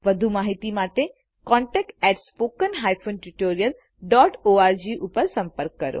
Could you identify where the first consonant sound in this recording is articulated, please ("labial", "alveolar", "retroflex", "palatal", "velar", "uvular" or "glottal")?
labial